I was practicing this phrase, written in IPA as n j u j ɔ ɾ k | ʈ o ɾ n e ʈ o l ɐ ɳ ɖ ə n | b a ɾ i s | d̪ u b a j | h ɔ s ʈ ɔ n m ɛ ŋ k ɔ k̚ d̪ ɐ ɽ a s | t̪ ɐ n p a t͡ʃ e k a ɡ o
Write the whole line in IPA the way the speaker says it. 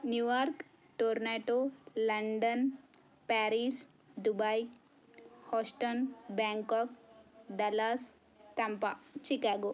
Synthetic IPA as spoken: n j u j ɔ ɾ k | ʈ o ɾ n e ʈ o l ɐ ɳ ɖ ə n | p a ɾ i s | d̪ u b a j | h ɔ s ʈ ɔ n b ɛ ŋ k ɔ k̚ d̪ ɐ l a s | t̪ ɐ m p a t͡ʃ i k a ɡ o